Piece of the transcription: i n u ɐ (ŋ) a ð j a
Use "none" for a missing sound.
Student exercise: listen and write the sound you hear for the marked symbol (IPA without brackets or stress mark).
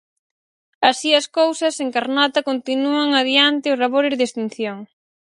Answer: ŋ